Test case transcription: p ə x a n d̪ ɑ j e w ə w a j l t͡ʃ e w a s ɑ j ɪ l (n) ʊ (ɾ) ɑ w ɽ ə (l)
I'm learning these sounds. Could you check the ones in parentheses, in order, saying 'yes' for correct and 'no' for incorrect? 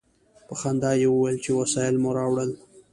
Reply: no, yes, yes

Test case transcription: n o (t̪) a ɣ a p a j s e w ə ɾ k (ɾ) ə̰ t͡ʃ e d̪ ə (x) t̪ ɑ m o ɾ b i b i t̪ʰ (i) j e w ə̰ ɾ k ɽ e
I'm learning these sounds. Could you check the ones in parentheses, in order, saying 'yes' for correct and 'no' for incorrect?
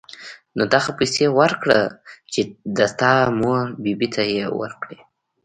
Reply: no, no, no, no

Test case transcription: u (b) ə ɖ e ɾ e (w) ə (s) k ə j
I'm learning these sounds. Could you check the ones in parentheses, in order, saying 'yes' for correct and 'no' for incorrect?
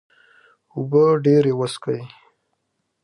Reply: yes, yes, yes

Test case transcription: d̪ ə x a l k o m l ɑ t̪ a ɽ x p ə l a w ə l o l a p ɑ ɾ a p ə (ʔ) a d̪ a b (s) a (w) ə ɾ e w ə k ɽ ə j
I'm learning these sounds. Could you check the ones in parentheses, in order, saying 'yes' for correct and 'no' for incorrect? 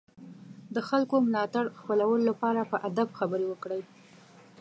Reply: yes, no, no

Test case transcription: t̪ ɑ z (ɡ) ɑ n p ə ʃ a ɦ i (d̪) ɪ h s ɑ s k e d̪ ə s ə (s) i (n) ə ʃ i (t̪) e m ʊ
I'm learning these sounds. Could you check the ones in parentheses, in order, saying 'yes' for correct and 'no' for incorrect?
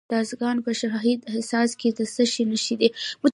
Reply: yes, yes, no, yes, no

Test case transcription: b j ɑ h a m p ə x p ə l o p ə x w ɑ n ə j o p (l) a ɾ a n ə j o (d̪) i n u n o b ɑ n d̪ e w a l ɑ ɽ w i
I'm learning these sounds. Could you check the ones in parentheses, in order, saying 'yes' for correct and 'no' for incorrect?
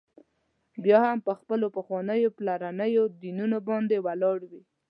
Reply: yes, yes

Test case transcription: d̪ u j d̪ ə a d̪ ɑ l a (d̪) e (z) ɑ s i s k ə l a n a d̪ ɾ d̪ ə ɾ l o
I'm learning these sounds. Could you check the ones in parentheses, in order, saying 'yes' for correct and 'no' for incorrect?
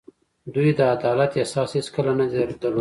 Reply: no, no

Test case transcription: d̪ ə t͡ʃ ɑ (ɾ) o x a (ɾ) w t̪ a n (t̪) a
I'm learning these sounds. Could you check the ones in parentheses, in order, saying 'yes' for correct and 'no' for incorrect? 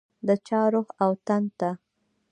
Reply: yes, no, yes

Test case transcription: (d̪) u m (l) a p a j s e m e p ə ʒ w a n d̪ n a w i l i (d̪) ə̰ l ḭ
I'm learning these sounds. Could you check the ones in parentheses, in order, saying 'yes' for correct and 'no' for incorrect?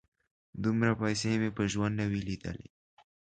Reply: yes, no, yes

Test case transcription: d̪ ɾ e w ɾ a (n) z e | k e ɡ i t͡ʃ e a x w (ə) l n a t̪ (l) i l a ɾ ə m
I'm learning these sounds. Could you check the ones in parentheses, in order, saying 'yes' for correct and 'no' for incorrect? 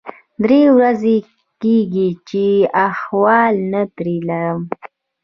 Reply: no, no, no

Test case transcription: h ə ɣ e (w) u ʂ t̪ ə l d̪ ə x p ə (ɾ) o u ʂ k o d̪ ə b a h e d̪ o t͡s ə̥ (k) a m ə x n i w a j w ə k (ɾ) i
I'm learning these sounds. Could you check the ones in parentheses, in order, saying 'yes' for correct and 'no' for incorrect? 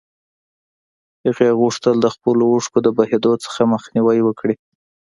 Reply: no, no, no, no

